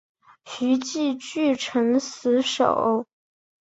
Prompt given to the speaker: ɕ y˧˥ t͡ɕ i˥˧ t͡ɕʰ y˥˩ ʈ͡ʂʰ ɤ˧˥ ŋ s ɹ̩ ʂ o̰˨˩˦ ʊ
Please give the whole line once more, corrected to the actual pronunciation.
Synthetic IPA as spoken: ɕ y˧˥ t͡ɕ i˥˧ t͡ɕ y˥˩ ʈ͡ʂʰ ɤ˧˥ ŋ s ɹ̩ ʂ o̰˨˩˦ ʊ

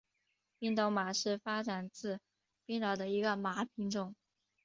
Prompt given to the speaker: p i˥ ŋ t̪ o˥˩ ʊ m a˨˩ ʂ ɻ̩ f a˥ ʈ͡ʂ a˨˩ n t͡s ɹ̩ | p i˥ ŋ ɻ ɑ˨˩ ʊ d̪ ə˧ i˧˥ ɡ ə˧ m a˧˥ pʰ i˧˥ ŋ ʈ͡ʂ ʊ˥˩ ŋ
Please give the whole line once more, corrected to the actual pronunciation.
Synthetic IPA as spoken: p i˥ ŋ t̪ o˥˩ ʊ m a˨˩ ʂ ɻ̩ f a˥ ʈ͡ʂ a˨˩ n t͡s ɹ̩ | p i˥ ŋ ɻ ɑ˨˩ ʊ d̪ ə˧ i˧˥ ɡ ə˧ m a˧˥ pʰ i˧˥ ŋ ʈ͡ʂ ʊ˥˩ ŋ

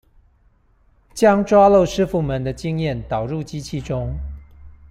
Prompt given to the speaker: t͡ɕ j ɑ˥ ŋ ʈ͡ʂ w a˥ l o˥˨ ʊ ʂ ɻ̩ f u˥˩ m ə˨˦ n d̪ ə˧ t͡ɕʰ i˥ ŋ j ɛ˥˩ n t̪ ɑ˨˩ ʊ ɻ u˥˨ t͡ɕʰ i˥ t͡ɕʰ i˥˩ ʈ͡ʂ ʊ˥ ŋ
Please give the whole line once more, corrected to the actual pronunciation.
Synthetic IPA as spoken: t͡ɕ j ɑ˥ ŋ ʈ͡ʂ w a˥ l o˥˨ ʊ ʂ ɻ̩ f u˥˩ m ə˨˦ n d̪ ə˧ t͡ɕ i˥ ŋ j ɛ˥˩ n t̪ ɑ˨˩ ʊ ɻ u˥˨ t͡ɕ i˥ t͡ɕʰ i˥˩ ʈ͡ʂ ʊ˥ ŋ

